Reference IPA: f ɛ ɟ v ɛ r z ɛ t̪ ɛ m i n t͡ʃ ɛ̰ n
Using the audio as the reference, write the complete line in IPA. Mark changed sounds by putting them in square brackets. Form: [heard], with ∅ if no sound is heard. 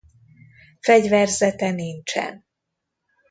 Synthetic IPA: f ɛ ɟ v ɛ r z ɛ t̪ ɛ [n] i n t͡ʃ ɛ̰ n